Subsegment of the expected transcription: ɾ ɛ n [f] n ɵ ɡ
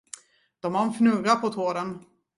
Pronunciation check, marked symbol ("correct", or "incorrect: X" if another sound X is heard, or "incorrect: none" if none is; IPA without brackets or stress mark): correct